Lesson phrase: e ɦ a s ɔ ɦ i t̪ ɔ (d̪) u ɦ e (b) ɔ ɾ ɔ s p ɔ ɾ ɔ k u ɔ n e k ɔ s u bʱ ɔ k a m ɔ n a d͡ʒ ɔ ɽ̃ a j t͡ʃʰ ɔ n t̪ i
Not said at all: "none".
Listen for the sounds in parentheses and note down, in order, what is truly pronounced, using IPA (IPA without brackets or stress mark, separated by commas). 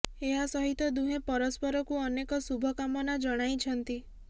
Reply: d̪, p